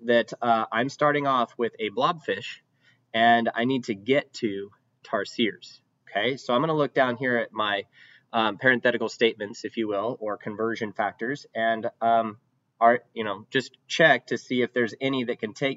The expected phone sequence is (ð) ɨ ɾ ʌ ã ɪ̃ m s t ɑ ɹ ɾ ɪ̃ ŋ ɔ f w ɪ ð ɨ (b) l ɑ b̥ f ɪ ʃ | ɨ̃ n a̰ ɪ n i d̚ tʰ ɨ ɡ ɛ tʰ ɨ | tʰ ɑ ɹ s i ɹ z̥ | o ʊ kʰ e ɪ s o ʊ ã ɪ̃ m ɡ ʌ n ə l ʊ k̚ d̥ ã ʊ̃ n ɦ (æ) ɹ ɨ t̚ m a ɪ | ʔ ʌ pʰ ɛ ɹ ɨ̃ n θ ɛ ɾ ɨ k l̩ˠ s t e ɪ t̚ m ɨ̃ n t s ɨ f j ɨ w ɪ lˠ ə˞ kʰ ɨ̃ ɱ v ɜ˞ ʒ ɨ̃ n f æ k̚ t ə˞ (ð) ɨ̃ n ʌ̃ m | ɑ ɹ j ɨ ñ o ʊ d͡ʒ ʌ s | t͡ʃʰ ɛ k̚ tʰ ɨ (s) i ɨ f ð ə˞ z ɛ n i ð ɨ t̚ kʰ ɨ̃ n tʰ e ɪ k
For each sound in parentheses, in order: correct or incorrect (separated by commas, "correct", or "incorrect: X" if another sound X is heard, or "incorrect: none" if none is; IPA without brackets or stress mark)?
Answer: correct, correct, incorrect: i, incorrect: z, correct